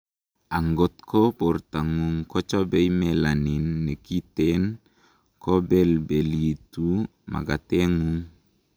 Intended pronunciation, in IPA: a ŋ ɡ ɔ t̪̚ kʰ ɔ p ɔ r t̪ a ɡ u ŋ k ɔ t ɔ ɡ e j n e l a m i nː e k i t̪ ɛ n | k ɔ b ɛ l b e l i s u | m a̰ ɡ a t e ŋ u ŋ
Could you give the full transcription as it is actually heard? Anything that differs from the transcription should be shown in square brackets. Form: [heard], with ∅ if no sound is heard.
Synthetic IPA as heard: a ŋ ɡ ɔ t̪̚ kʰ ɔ p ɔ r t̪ a [ŋ] u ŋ k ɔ [t͡ʃ] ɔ [b] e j [m] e l a [n] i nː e k i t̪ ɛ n | k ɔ b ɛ l b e l i [t] u | m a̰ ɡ a t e ŋ u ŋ